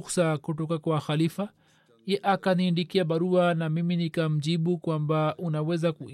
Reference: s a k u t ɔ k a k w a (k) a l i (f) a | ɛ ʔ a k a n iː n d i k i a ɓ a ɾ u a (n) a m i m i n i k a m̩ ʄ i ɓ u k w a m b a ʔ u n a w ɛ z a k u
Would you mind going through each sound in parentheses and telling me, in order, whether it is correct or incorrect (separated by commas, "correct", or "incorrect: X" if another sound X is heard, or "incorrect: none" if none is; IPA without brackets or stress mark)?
incorrect: x, correct, correct